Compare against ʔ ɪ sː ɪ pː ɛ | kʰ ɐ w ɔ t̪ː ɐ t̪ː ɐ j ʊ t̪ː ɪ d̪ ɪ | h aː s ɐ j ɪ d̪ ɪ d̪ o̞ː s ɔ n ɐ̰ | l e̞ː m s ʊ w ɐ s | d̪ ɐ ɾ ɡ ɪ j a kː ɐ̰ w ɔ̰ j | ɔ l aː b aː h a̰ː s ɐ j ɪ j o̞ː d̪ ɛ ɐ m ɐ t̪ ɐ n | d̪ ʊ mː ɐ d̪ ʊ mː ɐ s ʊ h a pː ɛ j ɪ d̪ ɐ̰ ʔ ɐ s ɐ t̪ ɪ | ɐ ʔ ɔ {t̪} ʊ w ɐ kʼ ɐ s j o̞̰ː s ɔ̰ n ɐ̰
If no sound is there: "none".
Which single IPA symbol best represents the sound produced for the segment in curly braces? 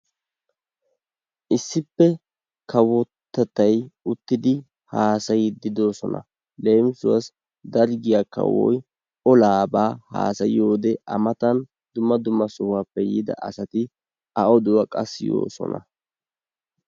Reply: d̪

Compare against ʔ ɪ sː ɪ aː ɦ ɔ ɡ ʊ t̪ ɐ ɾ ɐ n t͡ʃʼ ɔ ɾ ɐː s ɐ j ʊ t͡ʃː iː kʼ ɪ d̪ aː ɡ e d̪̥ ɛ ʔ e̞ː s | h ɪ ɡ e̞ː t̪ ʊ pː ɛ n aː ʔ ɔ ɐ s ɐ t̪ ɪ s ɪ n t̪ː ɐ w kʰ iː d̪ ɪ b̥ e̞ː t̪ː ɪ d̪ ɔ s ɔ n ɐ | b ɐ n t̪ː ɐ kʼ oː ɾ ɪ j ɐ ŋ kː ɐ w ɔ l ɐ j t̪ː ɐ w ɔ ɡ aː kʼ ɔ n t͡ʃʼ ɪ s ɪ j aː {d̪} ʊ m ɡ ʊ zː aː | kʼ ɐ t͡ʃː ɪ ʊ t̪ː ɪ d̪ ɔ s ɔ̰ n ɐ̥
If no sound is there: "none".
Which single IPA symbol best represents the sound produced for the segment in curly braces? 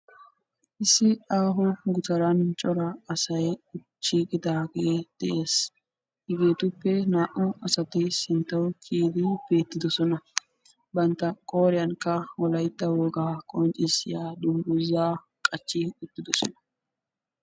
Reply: d̪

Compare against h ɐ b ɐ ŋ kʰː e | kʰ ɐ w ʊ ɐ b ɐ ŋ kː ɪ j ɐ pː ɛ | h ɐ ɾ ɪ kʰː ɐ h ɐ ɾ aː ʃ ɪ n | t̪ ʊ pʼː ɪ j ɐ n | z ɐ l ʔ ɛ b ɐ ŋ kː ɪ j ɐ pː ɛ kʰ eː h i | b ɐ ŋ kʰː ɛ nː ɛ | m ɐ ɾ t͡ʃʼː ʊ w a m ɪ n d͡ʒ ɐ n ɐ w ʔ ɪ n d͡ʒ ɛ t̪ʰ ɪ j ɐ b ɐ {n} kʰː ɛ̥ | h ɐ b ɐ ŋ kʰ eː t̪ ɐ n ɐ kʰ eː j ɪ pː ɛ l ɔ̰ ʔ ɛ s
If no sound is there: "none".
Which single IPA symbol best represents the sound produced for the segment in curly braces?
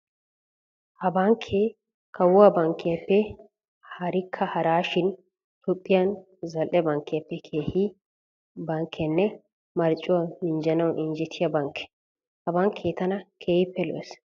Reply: ŋ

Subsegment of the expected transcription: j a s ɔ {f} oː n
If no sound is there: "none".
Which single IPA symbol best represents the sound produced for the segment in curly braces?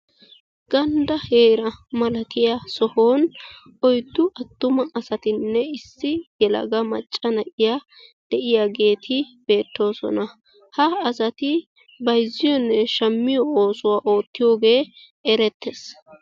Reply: h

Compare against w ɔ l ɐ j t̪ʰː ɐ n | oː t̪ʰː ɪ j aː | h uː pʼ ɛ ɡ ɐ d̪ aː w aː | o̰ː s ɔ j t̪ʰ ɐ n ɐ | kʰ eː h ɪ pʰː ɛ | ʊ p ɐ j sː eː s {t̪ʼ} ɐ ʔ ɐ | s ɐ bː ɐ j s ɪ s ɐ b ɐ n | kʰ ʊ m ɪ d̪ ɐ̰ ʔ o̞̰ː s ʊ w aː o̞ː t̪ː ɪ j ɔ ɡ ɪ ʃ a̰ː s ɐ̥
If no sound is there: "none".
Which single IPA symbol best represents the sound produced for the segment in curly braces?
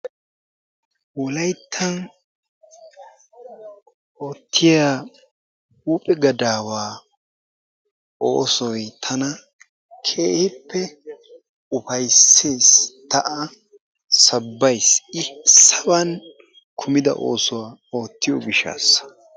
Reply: t̪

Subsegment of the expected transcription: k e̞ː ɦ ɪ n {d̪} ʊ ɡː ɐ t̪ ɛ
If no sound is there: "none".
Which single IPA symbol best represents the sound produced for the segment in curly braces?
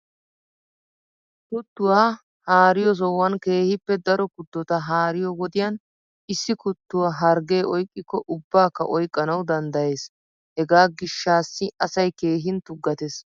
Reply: t̪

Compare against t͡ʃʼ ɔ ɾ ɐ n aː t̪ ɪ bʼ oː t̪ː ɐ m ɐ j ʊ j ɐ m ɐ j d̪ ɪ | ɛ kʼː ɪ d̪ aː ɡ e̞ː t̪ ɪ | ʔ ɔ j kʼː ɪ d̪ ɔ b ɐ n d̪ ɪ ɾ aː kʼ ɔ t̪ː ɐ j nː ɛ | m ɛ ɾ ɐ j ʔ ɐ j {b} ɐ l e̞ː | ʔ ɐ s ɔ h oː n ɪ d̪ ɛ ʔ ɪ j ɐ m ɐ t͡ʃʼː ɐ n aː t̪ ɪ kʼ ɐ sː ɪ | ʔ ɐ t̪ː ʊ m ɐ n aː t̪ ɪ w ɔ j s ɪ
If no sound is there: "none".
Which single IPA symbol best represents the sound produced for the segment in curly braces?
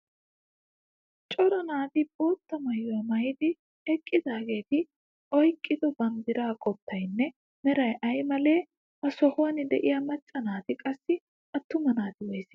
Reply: m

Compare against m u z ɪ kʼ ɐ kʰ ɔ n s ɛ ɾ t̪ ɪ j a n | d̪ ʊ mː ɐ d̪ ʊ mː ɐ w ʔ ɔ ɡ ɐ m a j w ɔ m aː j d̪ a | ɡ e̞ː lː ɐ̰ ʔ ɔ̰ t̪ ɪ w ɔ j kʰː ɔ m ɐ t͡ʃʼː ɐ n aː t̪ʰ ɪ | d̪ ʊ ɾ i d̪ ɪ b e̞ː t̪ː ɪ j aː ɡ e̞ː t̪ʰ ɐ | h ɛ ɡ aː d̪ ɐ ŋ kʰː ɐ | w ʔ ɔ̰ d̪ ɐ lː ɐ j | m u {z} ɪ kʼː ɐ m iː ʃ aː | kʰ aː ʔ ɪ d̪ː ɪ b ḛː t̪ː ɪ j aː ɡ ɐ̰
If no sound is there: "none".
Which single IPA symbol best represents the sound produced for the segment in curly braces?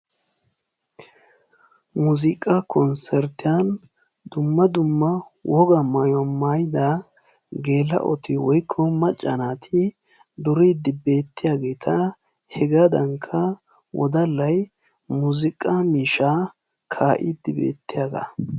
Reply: z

